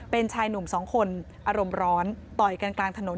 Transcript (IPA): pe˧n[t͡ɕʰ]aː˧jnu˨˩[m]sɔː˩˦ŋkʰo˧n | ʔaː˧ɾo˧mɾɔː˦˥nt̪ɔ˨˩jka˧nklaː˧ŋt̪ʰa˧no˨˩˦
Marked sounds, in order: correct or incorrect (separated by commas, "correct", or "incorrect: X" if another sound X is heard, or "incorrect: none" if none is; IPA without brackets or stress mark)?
correct, correct